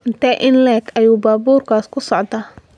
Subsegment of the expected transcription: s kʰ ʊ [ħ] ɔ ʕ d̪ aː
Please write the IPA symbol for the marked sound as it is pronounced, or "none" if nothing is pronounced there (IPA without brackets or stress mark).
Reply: s